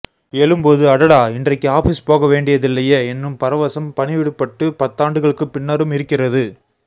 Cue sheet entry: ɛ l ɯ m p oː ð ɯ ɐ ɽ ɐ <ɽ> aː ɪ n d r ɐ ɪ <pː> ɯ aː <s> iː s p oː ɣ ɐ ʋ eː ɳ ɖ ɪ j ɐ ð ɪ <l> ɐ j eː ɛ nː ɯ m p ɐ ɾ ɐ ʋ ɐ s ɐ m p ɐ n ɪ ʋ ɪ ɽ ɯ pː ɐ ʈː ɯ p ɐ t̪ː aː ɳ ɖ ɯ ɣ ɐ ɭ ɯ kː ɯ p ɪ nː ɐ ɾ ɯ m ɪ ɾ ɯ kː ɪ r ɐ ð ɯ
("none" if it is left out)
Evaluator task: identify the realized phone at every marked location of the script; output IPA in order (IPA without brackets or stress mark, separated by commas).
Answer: ɽ, kː, f, lː